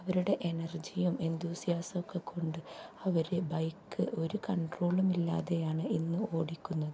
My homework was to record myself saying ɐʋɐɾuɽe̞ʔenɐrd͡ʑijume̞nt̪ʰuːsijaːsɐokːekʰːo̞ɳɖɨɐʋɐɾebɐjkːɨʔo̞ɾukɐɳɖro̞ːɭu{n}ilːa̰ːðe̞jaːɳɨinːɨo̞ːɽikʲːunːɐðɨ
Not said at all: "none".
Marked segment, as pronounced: m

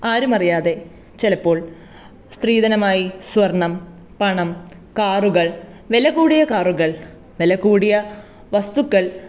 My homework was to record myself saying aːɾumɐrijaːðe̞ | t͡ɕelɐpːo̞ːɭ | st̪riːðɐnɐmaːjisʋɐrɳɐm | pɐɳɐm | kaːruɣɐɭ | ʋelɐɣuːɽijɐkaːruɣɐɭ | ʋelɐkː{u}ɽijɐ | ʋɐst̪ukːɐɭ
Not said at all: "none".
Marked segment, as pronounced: uː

